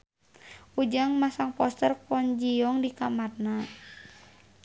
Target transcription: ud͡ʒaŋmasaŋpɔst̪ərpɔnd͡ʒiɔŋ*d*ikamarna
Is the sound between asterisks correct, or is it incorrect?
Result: correct